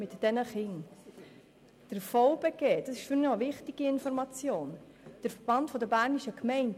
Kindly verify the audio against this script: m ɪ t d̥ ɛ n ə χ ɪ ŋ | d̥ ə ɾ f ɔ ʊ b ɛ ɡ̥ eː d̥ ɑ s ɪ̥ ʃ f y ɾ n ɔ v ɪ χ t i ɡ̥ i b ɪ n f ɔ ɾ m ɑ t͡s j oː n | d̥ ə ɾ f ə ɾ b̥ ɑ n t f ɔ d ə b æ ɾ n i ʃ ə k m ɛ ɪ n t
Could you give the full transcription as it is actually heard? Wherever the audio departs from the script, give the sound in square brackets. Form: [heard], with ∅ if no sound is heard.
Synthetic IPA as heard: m ɪ t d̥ ɛ n ə χ ɪ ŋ | d̥ ə ɾ f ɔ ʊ b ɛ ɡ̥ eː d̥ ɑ s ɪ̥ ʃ f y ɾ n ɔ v ɪ χ t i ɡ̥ i [∅] ɪ n f ɔ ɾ m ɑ t͡s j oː n | d̥ ə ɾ f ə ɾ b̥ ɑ n t f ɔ d ə b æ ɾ n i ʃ ə k m ɛ ɪ n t